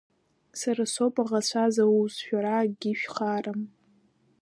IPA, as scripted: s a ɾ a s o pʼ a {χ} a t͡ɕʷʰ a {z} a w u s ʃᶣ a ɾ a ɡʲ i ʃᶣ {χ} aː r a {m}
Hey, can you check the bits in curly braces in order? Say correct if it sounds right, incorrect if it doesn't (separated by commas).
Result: incorrect, correct, correct, correct